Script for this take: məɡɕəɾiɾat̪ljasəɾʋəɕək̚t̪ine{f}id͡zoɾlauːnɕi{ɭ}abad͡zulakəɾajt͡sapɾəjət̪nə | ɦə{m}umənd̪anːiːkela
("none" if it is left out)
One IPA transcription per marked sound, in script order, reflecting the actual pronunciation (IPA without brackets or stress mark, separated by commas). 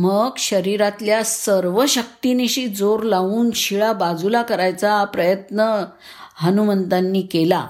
ɕ, ɭ, n